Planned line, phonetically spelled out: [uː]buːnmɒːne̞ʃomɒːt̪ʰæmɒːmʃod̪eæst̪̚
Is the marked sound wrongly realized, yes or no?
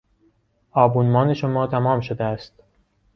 yes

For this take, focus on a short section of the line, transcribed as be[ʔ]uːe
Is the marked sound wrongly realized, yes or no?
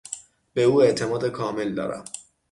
yes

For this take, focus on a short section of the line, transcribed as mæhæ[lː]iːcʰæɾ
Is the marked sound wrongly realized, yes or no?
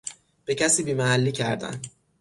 no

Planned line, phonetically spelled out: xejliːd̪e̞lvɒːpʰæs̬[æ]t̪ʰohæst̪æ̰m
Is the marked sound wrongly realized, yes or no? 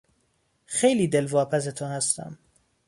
yes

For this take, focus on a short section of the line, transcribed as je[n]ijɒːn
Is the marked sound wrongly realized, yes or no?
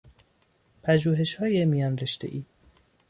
yes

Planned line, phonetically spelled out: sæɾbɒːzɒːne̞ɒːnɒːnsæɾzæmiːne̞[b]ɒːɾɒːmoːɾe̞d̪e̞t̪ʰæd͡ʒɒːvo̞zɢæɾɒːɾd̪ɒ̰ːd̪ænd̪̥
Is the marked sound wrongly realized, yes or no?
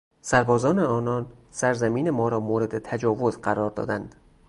yes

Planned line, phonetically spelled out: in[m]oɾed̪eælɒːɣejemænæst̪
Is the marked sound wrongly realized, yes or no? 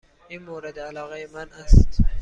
no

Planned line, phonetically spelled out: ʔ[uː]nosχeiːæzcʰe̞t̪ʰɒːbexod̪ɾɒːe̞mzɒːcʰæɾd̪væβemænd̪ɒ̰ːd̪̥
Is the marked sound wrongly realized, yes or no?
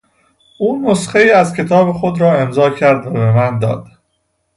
no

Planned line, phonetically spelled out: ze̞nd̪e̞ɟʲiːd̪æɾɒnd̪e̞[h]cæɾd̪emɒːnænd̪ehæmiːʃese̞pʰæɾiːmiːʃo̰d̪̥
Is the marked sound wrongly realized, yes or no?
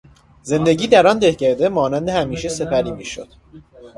no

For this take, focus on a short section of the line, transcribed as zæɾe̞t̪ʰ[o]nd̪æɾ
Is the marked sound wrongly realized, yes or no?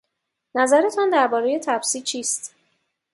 yes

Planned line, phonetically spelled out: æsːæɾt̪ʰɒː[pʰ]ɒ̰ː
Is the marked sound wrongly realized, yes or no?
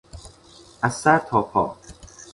no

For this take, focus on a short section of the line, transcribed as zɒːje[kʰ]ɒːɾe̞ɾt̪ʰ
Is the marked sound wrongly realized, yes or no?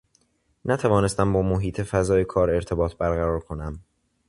no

